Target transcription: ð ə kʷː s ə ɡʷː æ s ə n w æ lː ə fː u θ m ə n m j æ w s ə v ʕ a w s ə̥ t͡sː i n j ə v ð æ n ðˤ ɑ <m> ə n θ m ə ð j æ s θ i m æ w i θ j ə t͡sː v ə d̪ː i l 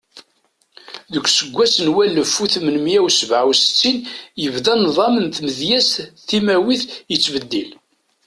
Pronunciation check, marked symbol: correct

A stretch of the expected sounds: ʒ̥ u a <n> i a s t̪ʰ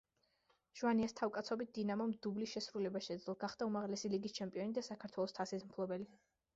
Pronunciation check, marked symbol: correct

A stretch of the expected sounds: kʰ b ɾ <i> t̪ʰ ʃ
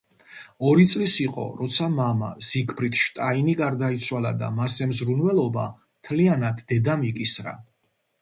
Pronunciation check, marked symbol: correct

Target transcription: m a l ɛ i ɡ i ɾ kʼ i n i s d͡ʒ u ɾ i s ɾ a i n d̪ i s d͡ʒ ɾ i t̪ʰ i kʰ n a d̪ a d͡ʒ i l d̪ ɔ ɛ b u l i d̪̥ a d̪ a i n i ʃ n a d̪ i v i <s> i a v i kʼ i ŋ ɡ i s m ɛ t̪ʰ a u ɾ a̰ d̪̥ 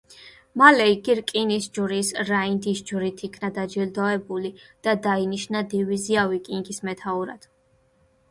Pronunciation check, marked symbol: incorrect: z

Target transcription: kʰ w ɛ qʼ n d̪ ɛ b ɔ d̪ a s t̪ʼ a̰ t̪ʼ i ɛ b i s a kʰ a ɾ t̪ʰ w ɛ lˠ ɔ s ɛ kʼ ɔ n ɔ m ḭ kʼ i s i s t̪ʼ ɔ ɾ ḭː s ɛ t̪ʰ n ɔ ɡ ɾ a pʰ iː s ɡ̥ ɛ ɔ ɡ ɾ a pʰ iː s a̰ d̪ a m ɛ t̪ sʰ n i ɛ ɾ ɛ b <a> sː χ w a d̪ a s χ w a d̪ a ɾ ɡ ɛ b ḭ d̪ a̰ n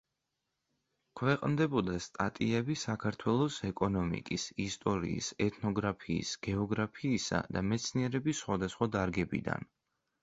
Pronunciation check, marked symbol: incorrect: i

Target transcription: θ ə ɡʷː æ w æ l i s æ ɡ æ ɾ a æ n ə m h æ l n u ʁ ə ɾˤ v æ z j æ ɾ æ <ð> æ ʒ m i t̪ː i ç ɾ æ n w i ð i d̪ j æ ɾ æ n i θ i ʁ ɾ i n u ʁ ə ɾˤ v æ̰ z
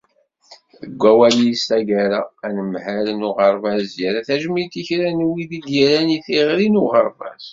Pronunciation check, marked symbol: incorrect: θ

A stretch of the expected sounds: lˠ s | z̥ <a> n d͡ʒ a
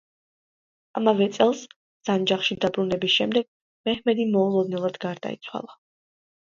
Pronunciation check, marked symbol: correct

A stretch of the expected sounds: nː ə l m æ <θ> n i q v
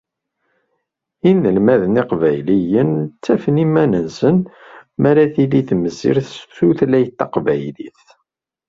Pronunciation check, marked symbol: incorrect: ð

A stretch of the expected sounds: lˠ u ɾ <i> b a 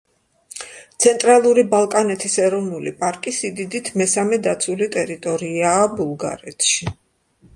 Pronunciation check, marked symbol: correct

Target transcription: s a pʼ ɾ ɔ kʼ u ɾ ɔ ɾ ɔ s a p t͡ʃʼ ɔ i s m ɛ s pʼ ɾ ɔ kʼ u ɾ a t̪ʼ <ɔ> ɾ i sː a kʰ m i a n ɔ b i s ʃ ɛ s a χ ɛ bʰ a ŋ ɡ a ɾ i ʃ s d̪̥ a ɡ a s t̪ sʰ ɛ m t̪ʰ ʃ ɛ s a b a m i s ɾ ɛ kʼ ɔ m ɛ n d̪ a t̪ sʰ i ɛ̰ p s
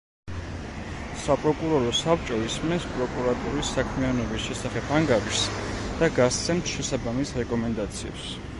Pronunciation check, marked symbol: incorrect: u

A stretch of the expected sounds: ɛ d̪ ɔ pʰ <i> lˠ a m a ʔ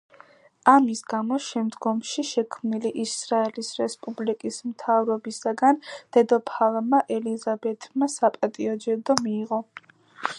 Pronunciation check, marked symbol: incorrect: a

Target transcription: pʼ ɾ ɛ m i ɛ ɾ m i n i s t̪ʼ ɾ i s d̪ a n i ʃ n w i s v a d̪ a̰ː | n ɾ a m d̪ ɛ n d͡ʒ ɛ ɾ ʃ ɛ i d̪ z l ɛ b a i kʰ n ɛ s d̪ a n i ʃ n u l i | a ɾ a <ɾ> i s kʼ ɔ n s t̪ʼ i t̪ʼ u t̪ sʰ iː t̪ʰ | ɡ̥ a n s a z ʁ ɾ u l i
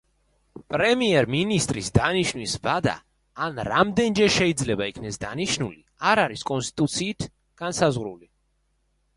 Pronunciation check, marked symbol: correct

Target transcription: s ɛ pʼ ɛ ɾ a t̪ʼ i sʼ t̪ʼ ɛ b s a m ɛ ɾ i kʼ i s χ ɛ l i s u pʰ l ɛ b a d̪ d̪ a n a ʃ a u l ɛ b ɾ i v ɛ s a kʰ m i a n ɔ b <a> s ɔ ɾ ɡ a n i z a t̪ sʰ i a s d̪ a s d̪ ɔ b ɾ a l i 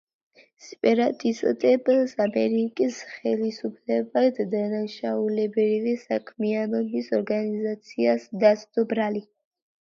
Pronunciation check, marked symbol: incorrect: i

